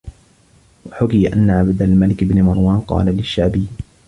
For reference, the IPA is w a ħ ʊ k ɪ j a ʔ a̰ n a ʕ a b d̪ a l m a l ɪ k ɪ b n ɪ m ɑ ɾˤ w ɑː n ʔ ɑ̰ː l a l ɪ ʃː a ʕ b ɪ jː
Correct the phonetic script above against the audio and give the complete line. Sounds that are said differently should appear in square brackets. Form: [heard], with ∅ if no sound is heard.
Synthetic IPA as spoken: w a ħ ʊ k ɪ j a ʔ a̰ [nː] a ʕ a b d̪ a l m a l ɪ k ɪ b n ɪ m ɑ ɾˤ w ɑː n [q] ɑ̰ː l a l ɪ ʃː a ʕ b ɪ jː